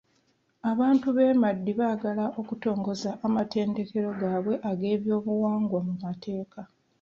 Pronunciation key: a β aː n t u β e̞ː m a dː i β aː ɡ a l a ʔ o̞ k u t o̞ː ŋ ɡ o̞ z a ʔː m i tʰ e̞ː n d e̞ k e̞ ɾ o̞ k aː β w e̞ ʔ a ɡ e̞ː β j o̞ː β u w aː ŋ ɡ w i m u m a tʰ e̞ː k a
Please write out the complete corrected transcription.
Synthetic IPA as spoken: a β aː n t u β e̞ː m a dː i β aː ɡ a l a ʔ o̞ k u t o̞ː ŋ ɡ o̞ z a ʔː m a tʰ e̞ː n d e̞ k e̞ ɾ o̞ ɡ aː β w e̞ ʔ a ɡ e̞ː β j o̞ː β u w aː ŋ ɡ w a m u m a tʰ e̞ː k a